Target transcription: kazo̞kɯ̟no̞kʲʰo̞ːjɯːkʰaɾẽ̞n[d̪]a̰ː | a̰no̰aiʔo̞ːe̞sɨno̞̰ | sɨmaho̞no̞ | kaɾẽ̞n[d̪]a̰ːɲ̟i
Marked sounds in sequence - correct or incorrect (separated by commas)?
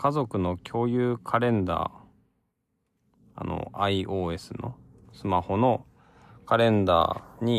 correct, correct